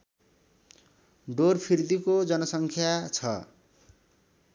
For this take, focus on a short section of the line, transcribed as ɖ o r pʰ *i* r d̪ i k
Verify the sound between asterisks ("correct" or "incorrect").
correct